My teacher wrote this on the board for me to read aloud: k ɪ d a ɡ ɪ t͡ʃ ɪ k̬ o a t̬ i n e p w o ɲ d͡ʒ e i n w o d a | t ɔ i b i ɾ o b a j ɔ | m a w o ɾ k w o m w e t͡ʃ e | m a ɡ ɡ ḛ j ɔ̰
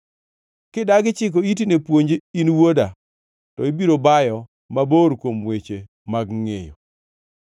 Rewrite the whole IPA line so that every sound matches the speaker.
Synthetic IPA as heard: k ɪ d a ɡ ɪ t͡ʃ ɪ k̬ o i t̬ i n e p w o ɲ d͡ʒ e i n w o d a | t ɔ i b i ɾ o b a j ɔ | m a b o ɾ k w o m w e t͡ʃ e | m a ɡ ŋ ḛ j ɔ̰